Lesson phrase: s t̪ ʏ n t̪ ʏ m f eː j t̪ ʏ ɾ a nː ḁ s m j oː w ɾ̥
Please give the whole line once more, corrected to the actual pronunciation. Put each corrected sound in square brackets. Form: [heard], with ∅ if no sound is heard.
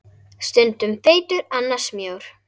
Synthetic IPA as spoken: s t̪ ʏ n t̪ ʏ m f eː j t̪ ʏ ɾ a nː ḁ s m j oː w ɾ̥